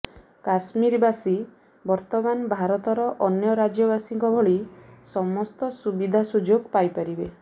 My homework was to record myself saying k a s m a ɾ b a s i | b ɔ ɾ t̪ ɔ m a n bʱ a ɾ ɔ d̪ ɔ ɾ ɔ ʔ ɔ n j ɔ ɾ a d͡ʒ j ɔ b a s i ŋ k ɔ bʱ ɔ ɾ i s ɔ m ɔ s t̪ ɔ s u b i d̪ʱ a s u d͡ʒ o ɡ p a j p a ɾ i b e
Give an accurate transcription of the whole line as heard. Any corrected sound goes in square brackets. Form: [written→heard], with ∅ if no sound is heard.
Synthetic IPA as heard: k a s m [a→i] ɾ b a s i | b ɔ ɾ t̪ ɔ m a n bʱ a ɾ ɔ [d̪→t̪] ɔ ɾ ɔ ʔ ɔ n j ɔ ɾ a d͡ʒ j ɔ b a s i ŋ k ɔ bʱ ɔ [ɾ→ɭ] i s ɔ m ɔ s t̪ ɔ s u b i d̪ʱ a s u d͡ʒ o ɡ p a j p a ɾ i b e